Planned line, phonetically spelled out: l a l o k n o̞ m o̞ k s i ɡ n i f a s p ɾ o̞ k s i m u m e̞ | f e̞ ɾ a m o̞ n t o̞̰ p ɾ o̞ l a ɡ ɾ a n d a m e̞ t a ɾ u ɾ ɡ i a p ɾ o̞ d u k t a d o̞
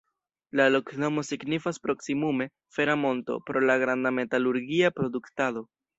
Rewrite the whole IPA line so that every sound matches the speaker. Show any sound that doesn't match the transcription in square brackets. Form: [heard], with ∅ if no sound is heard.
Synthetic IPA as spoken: l a l o k n o̞ m o̞ [∅] s i ɡ n i f a s p ɾ o̞ k s i m u m e̞ | f e̞ ɾ a m o̞ n t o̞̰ p ɾ o̞ l a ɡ ɾ a n d a m e̞ t a [l] u ɾ ɡ i a p ɾ o̞ d u k t a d o̞